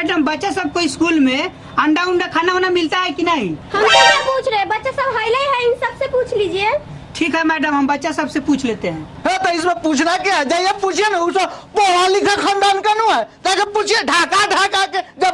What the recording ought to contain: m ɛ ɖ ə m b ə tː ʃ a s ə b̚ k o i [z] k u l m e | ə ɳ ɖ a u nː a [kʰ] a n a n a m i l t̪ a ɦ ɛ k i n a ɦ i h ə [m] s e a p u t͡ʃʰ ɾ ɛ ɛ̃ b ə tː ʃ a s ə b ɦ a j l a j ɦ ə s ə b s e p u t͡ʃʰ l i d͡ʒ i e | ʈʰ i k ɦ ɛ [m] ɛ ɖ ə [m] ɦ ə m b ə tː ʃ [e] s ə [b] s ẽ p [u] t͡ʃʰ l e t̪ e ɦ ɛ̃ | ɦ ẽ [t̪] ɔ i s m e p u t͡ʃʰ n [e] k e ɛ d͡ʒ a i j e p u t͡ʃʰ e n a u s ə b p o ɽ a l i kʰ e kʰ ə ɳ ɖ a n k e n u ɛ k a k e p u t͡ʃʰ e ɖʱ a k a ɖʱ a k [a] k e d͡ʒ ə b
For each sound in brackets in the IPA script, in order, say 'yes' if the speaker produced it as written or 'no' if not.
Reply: no, yes, yes, yes, yes, no, yes, yes, yes, no, yes

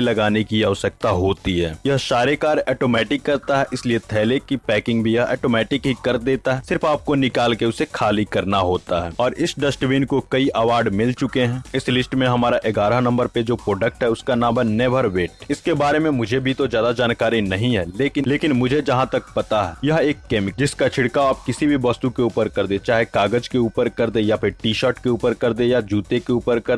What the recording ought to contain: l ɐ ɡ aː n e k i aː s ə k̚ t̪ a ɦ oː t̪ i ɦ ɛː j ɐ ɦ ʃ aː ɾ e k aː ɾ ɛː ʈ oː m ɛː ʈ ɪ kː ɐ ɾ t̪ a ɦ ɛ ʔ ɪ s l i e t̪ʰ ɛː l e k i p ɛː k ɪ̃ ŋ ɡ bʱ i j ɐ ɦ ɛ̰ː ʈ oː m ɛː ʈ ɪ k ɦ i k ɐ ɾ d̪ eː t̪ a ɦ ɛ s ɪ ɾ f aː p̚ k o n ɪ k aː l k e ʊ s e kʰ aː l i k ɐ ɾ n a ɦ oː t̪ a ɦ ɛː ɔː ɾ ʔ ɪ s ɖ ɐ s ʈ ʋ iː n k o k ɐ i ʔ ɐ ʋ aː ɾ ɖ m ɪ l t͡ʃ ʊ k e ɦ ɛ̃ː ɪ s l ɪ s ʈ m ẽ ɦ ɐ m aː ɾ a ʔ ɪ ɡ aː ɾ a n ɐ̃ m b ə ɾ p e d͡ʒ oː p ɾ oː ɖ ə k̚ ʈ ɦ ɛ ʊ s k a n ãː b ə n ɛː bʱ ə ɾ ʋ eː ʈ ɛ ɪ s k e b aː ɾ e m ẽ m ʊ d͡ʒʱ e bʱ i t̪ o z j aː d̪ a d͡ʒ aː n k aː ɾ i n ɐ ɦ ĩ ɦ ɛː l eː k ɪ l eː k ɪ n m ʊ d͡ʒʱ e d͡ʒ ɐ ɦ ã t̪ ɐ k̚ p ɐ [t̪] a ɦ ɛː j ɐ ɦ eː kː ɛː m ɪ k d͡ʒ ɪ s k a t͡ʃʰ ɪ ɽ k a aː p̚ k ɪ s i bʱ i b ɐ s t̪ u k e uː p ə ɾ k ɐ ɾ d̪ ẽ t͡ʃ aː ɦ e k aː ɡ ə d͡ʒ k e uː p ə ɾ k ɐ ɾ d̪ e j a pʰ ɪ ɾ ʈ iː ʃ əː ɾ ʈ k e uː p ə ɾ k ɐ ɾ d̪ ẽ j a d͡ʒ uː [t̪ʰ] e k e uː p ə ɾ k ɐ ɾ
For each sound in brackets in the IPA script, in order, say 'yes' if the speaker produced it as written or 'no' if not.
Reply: yes, no

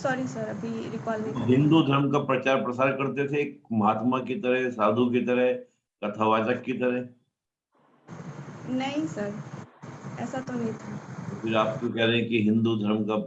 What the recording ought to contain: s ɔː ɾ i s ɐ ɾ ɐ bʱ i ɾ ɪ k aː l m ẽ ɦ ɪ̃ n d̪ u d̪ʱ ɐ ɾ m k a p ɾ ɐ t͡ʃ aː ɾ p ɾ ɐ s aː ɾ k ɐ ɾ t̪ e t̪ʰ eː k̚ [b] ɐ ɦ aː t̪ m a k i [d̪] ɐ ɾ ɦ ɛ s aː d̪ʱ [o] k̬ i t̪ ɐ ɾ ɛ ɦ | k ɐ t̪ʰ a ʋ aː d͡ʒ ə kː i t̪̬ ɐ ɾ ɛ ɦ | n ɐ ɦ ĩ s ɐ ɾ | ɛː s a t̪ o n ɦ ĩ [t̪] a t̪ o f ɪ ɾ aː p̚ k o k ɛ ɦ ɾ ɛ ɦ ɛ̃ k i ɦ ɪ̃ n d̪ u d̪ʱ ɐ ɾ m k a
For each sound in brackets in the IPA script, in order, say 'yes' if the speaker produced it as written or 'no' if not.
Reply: no, no, no, no

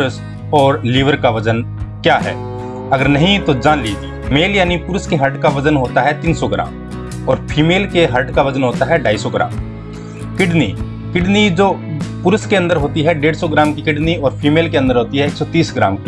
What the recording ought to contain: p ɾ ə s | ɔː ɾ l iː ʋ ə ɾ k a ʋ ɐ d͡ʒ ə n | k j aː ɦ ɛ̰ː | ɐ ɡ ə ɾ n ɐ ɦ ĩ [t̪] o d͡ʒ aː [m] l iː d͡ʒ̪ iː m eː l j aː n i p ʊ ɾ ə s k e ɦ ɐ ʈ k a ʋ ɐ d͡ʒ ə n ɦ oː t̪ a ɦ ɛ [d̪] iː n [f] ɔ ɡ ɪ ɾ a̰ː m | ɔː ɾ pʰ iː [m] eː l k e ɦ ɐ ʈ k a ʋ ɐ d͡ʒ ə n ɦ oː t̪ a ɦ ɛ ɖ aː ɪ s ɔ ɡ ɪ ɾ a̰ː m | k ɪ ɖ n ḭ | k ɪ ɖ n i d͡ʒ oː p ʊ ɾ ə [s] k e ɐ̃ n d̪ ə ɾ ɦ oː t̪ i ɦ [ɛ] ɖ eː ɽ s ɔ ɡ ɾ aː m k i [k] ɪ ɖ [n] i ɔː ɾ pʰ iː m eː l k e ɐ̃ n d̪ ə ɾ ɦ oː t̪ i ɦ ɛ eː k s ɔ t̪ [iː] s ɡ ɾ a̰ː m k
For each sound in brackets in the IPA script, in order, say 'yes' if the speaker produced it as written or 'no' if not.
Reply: yes, no, no, no, yes, yes, yes, yes, yes, yes

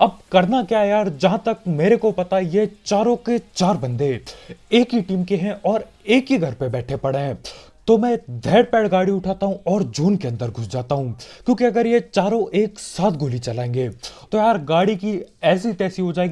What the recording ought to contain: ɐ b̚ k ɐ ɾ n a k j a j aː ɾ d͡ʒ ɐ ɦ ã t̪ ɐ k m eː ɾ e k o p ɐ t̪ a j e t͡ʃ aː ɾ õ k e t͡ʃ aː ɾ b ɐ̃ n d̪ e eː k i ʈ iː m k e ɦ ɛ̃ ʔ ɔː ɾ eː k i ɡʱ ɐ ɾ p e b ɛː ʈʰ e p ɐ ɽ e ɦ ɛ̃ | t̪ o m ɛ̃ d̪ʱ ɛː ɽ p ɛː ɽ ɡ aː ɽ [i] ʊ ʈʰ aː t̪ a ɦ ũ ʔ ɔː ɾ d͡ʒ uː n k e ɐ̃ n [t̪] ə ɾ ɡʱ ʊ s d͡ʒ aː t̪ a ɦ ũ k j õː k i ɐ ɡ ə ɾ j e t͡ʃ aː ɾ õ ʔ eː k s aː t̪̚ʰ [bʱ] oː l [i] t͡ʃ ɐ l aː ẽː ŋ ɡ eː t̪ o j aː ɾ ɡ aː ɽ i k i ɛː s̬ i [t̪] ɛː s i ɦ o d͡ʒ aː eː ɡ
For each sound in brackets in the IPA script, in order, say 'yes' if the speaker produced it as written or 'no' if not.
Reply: yes, no, no, yes, yes

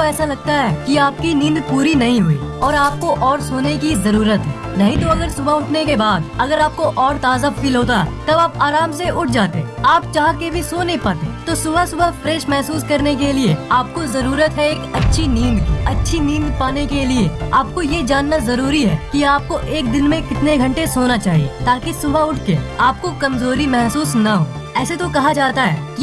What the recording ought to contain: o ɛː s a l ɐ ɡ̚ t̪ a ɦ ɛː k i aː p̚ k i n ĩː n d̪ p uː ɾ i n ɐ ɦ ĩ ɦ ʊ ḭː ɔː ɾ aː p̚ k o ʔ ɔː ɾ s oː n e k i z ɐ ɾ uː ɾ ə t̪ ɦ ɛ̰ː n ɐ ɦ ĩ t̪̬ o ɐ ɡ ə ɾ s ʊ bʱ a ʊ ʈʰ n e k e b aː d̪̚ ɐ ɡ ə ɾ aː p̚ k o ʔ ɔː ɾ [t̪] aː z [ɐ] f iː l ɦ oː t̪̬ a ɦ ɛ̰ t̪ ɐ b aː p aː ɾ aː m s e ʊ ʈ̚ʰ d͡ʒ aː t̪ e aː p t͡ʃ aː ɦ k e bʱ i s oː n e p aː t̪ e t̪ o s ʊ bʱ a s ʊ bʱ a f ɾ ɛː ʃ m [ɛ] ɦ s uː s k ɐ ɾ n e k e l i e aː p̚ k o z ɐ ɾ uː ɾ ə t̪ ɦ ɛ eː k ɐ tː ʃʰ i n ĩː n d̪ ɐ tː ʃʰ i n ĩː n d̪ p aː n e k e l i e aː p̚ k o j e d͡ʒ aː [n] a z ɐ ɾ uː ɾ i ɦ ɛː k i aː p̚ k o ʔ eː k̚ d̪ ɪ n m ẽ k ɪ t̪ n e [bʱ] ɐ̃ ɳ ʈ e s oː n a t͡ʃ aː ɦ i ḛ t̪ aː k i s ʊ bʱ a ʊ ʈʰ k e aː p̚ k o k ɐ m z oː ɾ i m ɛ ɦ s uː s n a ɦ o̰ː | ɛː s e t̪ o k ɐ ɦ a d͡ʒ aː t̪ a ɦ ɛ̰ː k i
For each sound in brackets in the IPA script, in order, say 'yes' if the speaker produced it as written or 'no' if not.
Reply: yes, no, yes, no, no

